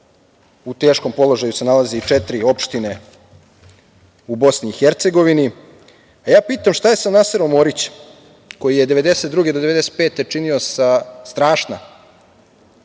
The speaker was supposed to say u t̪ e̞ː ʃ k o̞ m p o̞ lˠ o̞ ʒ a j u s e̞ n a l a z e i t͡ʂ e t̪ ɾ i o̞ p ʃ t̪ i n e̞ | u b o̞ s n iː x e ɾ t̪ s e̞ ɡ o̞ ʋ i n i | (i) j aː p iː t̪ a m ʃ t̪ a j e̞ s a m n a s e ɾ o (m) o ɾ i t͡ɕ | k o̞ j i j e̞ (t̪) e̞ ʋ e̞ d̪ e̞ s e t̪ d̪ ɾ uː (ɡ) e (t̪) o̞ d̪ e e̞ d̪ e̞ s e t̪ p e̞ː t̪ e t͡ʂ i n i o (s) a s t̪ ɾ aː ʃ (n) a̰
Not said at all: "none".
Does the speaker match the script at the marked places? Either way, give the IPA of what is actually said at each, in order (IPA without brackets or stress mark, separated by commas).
a, m, d̪, ɡ, d̪, s, n